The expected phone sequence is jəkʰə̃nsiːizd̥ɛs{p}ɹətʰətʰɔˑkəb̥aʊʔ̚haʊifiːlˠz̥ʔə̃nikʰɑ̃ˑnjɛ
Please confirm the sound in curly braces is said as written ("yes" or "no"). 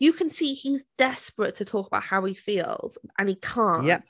yes